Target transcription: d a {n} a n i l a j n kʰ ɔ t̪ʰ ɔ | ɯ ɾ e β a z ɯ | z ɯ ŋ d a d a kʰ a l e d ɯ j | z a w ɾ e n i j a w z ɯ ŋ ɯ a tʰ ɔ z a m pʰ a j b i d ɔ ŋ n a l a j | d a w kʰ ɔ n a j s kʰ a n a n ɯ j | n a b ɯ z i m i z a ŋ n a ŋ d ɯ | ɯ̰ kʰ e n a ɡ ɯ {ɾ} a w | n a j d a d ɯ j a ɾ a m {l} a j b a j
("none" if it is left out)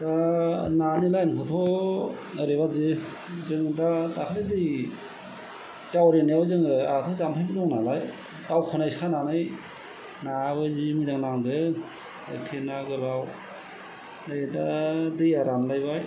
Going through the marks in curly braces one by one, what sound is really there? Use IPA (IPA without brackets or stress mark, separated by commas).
n, l, l